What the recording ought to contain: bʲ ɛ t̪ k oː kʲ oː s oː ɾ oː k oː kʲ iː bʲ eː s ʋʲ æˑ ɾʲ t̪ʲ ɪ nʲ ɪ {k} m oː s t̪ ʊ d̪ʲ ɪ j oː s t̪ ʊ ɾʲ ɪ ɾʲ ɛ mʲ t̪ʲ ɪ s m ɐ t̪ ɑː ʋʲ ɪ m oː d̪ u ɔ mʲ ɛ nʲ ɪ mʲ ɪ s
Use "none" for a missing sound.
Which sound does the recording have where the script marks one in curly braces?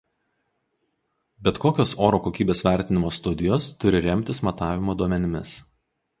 none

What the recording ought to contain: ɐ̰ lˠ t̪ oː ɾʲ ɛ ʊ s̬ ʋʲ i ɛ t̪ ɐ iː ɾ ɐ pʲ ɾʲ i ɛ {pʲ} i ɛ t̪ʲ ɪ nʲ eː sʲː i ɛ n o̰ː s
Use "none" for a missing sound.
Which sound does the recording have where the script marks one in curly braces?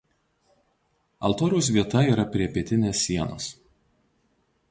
pʲ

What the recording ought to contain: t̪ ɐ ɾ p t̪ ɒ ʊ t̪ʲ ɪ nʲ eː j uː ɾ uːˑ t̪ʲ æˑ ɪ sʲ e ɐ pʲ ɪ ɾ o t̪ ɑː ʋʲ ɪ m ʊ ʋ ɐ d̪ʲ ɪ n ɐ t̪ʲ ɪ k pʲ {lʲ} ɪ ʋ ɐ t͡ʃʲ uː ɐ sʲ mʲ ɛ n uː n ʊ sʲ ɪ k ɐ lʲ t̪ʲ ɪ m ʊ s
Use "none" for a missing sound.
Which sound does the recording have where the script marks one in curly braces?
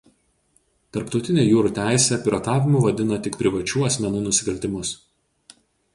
ɾʲ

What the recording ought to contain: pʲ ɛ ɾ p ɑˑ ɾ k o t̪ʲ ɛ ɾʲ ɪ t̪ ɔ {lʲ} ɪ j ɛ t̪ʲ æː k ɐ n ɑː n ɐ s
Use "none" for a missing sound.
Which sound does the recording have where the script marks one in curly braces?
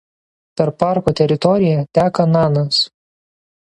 ɾʲ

